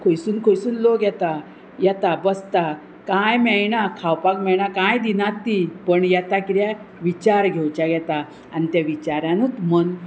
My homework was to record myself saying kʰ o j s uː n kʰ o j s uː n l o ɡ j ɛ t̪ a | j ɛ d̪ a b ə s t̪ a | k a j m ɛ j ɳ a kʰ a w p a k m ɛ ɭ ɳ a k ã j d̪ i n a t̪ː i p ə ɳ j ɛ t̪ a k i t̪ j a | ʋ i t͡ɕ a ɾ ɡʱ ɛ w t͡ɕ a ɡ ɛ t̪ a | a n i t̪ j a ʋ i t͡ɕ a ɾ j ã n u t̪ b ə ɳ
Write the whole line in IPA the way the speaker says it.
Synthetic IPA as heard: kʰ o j s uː n kʰ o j s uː n l o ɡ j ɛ t̪ a | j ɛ t̪ a b ə s t̪ a | k a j m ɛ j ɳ a kʰ a w p a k m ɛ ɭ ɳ a k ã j d̪ i n a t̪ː i p ə ɳ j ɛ t̪ a k i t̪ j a | ʋ i t͡ɕ a ɾ ɡʱ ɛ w t͡ɕ a ɡ ɛ t̪ a | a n i t̪ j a ʋ i t͡ɕ a ɾ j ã n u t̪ m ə n

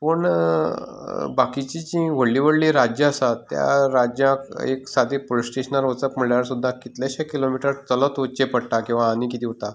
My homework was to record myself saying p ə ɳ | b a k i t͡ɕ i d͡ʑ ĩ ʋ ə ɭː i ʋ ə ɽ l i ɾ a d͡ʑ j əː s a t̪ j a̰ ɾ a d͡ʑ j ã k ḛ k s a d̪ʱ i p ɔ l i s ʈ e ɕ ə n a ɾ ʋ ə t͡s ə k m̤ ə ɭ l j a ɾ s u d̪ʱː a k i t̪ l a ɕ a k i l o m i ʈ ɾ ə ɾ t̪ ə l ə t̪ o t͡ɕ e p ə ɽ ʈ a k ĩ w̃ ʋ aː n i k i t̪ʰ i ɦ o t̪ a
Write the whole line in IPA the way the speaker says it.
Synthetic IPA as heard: p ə ɳ | b a k i t͡ɕ i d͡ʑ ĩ ʋ ə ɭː i ʋ ə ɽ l i ɾ a d͡ʑ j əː s a t̪ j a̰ ɾ a d͡ʑ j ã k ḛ k s a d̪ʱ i p o l i s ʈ e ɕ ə n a ɾ ʋ ə t͡s ə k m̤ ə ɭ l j a ɾ s u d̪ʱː a k i t̪ l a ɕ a k i l o m i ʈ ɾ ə ɾ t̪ ə l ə t̪ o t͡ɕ e p ə ɽ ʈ a k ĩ w̃ ʋ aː n i k i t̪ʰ i ɦ o t̪ a

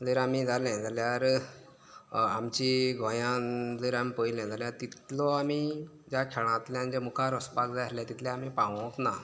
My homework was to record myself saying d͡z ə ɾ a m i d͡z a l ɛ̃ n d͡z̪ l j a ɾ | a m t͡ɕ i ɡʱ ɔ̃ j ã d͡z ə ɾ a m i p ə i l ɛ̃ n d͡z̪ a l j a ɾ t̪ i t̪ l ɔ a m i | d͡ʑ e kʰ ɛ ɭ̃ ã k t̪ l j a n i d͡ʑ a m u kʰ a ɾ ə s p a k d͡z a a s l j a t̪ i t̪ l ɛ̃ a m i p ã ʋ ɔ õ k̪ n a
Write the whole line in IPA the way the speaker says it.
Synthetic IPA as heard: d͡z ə ɾ a m i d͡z a l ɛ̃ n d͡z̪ l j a ɾ | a m t͡ɕ i ɡʱ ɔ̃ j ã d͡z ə ɾ a m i p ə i l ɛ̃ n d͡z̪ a l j a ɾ t̪ i t̪ l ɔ a m i | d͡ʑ a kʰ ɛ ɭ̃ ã t̪ l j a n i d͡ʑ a m u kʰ a ɾ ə s p a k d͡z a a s l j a t̪ i t̪ l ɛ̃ a m i p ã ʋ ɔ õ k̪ n a

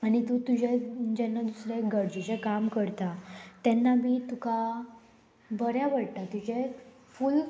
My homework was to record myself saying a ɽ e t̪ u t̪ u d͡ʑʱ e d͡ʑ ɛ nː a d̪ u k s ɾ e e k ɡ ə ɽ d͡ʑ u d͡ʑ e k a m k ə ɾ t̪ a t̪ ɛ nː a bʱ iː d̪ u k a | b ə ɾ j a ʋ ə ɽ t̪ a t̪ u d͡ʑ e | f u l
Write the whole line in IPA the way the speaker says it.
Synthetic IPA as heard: a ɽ i t̪ u t̪ u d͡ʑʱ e d͡ʑ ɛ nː a d̪ u s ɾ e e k ɡ ə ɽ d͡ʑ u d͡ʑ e k a m k ə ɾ t̪ a t̪ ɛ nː a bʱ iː t̪ u k a | b ə ɾ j a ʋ ə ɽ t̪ a t̪ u d͡ʑ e | f u l

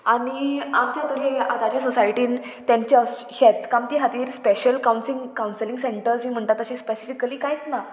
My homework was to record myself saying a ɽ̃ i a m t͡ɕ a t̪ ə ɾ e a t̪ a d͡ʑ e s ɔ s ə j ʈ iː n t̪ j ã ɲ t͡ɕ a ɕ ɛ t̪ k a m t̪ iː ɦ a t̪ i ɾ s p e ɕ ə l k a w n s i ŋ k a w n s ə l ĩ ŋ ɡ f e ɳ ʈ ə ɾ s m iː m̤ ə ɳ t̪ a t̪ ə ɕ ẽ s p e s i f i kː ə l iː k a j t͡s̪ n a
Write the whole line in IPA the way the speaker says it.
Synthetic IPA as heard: a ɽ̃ i a m t͡ɕ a t̪ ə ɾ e a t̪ a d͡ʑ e s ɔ s a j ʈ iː n t̪ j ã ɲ t͡ɕ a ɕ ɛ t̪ k a m t̪ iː ɦ a t̪ iː ɾ s p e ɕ ə l k a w n s i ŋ k a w n s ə l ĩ ŋ ɡ s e ɳ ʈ ə ɾ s m iː m̤ ə ɳ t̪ a t̪ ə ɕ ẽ s p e s i f i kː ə l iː k a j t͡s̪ n a

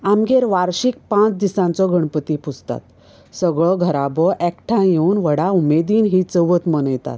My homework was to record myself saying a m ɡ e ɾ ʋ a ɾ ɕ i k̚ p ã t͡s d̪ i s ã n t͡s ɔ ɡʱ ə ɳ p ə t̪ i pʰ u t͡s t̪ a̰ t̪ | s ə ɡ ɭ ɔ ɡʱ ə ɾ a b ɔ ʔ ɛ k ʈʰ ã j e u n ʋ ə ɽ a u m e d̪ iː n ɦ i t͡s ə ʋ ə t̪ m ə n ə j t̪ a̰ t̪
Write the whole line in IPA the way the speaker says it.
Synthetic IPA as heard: a m ɡ e ɾ ʋ a ɾ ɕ i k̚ p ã t͡s d̪ i s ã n t͡s ɔ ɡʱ ə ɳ p ə t̪ i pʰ u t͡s t̪ a̰ t̪ | s ə ɡ ɭ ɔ ɡʱ ə ɾ a b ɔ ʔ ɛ k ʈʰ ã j e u n ʋ ə ɽ a u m e d̪ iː n ɦ i t͡s ə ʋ ə t̪ m ə n ə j t̪ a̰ t̪

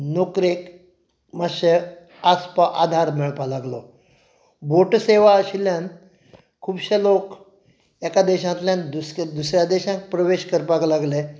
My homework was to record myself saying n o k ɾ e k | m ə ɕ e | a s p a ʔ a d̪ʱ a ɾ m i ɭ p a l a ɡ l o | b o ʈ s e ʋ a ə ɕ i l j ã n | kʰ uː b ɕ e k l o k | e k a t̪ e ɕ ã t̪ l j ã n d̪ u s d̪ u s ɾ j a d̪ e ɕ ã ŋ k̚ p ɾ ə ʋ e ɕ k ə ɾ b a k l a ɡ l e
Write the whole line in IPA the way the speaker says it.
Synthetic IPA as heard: n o k ɾ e k | m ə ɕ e | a s p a ʔ a d̪ʱ a ɾ m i ɭ p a l a ɡ l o | b o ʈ s e ʋ a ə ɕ i l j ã n | kʰ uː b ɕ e l o k | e k a d̪ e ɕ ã t̪ l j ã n d̪ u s d̪ u s ɾ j a d̪ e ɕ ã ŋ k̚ p ɾ ə ʋ e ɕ k ə ɾ p a k l a ɡ l e

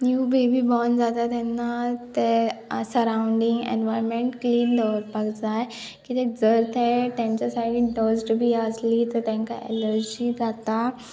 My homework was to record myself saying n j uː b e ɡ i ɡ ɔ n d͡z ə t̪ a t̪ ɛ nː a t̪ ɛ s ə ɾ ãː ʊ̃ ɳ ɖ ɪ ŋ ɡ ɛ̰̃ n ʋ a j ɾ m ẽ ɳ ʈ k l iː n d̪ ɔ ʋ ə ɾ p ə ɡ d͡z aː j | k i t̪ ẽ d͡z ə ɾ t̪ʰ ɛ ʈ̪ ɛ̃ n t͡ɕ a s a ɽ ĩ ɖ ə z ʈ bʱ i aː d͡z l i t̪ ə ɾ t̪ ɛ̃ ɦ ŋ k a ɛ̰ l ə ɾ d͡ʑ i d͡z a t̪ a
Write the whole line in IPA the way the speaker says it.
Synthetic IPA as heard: n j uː b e b i b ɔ n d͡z a t̪ a t̪ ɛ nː a t̪ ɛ s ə ɾ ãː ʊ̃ ɳ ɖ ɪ ŋ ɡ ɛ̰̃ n ʋ a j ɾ m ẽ ɳ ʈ k l iː n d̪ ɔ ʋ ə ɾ p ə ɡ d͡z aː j | k i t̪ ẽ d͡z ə ɾ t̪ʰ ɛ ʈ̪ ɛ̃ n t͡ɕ a s a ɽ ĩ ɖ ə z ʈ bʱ i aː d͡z l i t̪ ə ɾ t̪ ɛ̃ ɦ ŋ k a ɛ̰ l ə ɾ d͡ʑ i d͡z a t̪ a

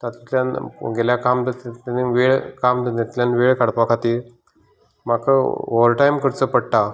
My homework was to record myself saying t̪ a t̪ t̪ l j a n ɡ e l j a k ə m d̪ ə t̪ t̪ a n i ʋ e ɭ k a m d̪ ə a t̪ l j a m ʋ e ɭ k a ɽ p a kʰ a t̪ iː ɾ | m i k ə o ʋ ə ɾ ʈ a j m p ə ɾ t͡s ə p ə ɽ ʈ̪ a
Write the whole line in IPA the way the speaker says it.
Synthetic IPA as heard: t̪ a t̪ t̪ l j a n ɡ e l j a k a m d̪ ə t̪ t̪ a n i ʋ e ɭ k a m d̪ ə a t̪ l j a n ʋ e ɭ k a ɽ p a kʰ a t̪ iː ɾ | m a k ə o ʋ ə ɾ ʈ a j m k ə ɾ t͡s ə p ə ɽ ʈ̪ a

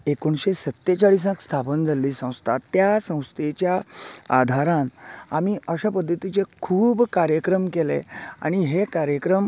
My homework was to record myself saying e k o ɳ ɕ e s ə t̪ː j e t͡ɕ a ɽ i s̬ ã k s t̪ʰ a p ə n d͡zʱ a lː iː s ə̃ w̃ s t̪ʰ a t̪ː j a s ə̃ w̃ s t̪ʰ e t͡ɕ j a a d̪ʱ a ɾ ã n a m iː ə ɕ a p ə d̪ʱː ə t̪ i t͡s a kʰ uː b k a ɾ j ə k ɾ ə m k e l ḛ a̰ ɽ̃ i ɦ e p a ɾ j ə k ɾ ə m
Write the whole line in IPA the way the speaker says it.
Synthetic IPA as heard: e k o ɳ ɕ e s ə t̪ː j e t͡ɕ a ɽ i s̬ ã k s t̪ʰ a p ə n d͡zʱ a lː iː s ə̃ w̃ s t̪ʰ a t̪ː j a s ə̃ w̃ s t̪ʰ e t͡ɕ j a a d̪ʱ a ɾ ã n a m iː ə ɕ a p ə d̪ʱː ə t̪ i t͡s e kʰ uː b k a ɾ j ə k ɾ ə m k e l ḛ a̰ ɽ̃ i ɦ e k a ɾ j ə k ɾ ə m

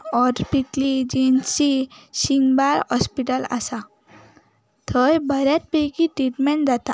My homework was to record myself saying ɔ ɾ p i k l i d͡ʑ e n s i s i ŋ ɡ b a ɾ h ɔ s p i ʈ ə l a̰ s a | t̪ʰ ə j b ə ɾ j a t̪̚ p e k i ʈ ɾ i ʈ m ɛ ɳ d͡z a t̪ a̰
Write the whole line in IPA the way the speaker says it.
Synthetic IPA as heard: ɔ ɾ p i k l i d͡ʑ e n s i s i ŋ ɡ b a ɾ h ɔ s p i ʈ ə l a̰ s a | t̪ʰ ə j b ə ɾ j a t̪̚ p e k i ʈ ɾ i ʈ m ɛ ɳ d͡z a t̪ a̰

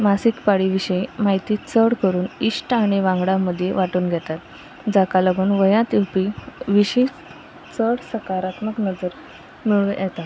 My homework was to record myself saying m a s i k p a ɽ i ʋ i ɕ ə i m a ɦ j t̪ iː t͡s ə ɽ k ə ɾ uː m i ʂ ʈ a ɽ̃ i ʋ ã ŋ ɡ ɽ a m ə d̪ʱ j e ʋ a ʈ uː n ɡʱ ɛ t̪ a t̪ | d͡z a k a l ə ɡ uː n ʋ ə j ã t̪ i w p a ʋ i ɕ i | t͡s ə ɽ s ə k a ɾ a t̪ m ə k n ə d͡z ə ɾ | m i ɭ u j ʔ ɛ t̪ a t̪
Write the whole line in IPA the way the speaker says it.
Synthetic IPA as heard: m a s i k p a ɽ i ʋ i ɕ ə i m a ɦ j t̪ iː t͡s ə ɽ k ə ɾ uː n i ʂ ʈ a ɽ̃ i ʋ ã ŋ ɡ ɽ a m ə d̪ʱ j e ʋ a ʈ uː n ɡʱ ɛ t̪ a t̪ | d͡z a k a l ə ɡ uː n ʋ ə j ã t̪ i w p i ʋ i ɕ i | t͡s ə ɽ s ə k a ɾ a t̪ m ə k n ə d͡z ə ɾ | m i ɭ u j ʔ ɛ t̪ a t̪

